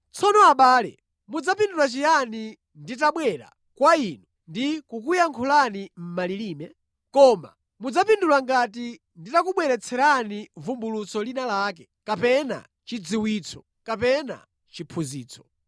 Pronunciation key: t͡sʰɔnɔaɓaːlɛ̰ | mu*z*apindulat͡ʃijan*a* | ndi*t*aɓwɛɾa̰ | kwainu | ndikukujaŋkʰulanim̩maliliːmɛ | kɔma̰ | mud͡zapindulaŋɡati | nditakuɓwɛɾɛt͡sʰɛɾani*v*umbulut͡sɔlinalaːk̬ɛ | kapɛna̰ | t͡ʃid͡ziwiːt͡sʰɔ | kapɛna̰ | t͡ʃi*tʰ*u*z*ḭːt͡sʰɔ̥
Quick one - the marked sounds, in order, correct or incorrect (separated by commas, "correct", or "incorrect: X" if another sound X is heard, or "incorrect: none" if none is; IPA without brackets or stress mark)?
incorrect: d͡z, incorrect: i, correct, correct, incorrect: pʰ, correct